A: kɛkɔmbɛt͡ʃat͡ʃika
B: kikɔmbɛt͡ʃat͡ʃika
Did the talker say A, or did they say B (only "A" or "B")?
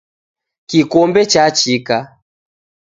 B